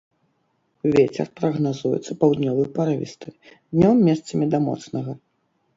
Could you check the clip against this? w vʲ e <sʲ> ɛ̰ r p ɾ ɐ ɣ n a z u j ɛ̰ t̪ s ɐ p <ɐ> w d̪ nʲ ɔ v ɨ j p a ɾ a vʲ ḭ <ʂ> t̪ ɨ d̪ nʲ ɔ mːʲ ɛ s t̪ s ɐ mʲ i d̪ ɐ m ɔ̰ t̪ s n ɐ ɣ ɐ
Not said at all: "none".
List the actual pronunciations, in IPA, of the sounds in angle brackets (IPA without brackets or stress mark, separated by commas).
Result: t͡sʲ, a, s